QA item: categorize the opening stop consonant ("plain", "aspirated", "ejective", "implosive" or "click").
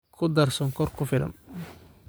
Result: aspirated